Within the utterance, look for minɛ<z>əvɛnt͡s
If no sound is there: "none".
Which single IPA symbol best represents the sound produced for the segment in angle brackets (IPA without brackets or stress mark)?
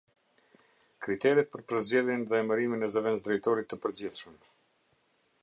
z